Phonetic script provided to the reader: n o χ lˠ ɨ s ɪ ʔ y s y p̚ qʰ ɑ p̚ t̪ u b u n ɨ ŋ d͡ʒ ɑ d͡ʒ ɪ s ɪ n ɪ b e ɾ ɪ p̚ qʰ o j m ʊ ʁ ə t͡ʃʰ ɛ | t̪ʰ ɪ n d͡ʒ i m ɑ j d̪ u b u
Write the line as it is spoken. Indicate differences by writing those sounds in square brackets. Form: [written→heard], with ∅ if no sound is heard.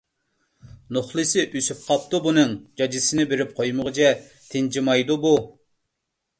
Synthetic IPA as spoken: n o χ lˠ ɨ s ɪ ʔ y s y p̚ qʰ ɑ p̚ t̪ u b u n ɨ ŋ d͡ʒ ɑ d͡ʒ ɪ s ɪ n ɪ b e ɾ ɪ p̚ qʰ o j m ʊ ʁ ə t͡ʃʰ ɛ | t̪ʰ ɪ n d͡ʒ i m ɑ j d̪ u b u